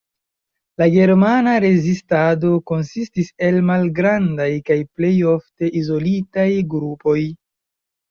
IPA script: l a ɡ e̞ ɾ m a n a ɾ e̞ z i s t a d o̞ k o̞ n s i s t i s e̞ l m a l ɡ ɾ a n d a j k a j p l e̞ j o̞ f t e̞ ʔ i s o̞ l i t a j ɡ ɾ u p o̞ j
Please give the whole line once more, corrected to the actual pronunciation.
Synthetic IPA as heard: l a ɡ e̞ ɾ m a n a ɾ e̞ z i s t a d o̞ k o̞ n s i s t i s e̞ l m a l ɡ ɾ a n d a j k a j p l e̞ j o̞ f t e̞ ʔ i z o̞ l i t a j ɡ ɾ u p o̞ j